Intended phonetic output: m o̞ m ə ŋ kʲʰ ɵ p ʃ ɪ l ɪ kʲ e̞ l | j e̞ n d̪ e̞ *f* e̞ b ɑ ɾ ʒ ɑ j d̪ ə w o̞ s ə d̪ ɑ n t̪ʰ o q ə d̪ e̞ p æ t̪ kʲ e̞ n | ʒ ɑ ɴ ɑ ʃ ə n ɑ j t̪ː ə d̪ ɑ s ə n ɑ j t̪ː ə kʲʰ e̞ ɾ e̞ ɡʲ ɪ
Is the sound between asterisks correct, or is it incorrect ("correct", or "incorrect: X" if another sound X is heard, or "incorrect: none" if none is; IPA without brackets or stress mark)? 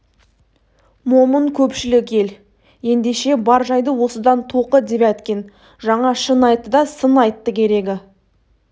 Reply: incorrect: ʃ